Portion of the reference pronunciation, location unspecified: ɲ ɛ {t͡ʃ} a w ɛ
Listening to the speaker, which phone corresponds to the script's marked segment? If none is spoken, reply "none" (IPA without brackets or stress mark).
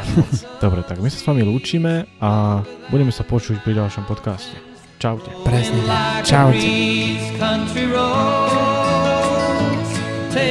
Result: t͡ʃ